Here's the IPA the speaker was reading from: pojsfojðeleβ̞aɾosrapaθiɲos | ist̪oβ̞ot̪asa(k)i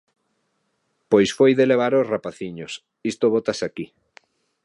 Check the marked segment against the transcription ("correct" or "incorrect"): correct